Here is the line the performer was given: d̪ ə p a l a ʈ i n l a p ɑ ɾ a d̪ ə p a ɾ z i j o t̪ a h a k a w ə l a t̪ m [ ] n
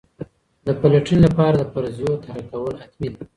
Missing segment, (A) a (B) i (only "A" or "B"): B